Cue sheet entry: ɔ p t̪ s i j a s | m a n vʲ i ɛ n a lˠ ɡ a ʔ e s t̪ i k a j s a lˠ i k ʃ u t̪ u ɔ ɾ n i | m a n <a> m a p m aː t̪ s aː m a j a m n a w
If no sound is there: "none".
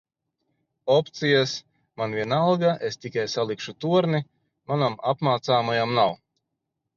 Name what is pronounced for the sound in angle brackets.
a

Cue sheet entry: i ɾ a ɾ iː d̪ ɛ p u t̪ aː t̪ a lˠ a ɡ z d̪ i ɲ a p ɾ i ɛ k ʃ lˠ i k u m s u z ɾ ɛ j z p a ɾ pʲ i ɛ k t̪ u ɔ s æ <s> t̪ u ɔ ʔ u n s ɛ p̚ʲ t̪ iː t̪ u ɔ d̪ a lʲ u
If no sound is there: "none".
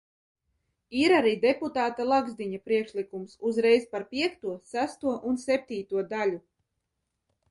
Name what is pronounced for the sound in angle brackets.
s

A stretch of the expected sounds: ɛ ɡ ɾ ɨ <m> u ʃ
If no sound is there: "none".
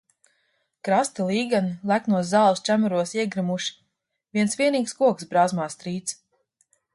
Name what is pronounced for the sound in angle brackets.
m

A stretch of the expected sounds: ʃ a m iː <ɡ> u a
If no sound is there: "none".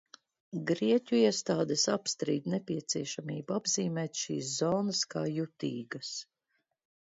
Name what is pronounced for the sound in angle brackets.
b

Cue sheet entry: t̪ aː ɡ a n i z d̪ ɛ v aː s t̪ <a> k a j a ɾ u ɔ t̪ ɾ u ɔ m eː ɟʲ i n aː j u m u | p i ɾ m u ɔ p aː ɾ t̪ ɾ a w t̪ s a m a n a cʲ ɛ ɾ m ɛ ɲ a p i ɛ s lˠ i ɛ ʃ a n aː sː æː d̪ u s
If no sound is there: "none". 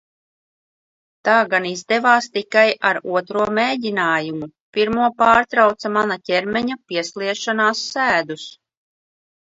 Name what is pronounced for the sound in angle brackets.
i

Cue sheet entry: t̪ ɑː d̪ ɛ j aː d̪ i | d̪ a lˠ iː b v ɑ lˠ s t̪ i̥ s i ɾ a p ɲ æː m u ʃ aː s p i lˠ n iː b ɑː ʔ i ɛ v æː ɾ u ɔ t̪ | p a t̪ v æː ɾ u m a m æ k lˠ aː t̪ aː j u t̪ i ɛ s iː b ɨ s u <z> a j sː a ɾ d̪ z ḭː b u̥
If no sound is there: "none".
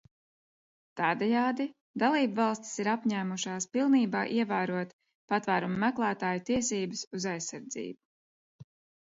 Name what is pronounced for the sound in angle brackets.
z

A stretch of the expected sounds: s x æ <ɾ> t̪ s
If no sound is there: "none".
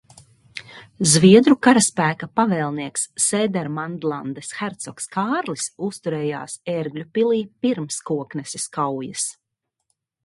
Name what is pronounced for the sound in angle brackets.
ɾ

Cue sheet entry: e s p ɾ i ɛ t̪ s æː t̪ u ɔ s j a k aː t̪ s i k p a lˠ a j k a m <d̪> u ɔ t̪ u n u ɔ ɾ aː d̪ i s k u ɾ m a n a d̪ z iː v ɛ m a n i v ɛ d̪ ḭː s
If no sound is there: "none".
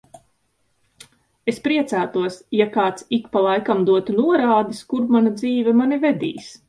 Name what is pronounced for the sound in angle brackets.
d̪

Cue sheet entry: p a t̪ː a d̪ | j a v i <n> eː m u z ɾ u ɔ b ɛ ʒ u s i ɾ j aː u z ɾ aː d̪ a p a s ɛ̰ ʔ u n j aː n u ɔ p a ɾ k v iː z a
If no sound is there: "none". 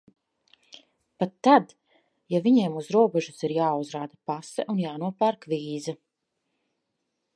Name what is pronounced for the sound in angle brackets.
ɲ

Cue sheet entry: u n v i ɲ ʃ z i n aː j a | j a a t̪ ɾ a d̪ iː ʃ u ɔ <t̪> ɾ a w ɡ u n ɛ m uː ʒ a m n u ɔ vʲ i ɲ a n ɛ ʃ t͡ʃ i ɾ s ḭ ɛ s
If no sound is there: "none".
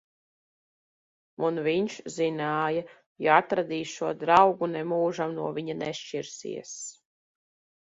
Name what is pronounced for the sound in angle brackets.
d̪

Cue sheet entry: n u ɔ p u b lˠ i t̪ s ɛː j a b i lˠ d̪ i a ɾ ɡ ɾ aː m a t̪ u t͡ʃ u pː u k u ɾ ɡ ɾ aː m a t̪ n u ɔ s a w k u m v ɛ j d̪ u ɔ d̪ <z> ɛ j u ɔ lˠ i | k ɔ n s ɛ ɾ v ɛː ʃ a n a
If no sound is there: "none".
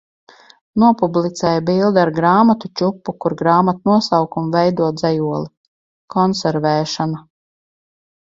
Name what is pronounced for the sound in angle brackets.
z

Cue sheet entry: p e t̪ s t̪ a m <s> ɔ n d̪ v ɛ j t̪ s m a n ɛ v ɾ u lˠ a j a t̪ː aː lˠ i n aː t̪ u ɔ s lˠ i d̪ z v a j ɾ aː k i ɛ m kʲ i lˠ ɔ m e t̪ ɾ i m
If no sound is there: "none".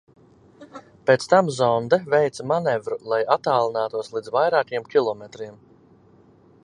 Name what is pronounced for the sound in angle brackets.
z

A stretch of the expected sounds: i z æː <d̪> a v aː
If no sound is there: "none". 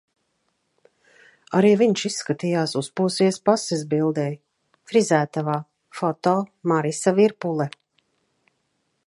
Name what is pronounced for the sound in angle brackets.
t̪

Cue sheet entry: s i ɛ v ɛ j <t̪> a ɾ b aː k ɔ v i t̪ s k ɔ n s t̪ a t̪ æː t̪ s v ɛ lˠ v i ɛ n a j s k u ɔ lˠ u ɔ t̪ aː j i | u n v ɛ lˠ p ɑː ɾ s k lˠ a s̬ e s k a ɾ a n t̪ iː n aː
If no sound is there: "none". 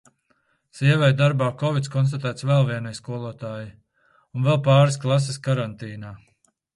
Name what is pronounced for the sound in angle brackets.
d̪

